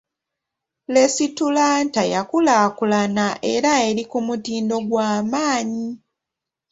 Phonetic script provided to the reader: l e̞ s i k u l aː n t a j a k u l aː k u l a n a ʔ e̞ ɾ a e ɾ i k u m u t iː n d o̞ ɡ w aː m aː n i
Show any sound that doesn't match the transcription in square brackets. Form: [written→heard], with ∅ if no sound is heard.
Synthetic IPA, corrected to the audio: l e̞ s i [k→t] u l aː n t a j a k u l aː k u l a n a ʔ e̞ ɾ a e ɾ i k u m u t iː n d o̞ ɡ w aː m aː [n→ɲ] i